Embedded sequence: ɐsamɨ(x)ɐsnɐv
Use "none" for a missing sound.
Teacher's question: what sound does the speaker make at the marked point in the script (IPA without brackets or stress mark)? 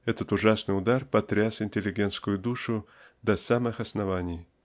x